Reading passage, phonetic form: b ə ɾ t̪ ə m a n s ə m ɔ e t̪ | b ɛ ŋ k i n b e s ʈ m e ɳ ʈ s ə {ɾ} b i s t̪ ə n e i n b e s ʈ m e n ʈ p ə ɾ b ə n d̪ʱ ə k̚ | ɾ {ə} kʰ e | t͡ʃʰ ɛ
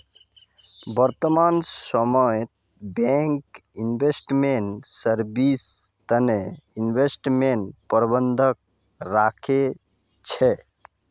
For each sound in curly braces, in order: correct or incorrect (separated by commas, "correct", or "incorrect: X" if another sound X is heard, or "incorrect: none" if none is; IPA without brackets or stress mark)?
correct, incorrect: a